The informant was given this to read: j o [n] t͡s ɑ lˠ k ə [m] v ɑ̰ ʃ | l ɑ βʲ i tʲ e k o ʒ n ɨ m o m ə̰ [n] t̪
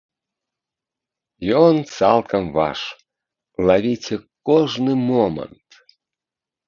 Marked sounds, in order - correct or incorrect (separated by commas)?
correct, correct, correct